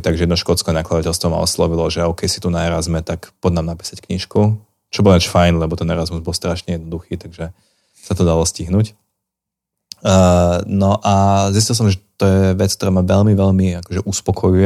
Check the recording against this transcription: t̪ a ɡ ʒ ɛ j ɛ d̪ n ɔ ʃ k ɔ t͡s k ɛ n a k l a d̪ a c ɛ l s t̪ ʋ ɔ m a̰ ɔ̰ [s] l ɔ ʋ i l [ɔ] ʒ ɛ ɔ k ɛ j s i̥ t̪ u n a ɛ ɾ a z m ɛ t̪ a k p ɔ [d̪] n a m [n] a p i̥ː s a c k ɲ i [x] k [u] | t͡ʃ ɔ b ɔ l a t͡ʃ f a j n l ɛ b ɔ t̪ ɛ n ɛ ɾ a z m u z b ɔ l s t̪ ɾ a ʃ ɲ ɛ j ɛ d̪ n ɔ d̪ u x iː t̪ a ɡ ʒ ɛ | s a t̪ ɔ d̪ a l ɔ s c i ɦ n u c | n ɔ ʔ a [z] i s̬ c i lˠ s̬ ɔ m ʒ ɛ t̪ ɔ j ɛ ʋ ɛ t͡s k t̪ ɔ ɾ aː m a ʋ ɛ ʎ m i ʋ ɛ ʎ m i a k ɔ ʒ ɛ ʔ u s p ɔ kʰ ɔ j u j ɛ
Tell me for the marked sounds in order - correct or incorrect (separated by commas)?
correct, correct, correct, correct, incorrect, correct, correct